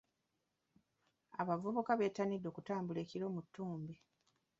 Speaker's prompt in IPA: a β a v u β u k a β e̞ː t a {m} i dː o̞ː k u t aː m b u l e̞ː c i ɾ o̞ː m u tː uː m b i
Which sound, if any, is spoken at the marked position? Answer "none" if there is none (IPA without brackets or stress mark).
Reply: n